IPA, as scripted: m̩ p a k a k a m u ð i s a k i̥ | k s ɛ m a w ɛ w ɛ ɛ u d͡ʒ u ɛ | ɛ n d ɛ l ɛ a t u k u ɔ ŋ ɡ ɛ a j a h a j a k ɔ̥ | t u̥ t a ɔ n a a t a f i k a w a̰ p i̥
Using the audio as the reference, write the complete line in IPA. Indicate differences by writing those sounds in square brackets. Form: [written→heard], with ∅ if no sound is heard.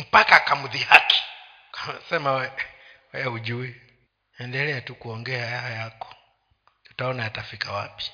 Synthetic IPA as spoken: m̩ p a k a k a m u ð i [s→h] a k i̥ | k s ɛ m a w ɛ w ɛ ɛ u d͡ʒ u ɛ | ɛ n d ɛ l ɛ a t u k u ɔ ŋ ɡ ɛ a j a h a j a k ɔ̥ | t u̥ t a ɔ n a a t a f i k a w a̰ p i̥